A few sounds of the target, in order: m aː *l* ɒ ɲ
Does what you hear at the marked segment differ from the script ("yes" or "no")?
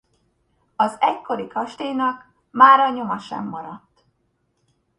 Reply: yes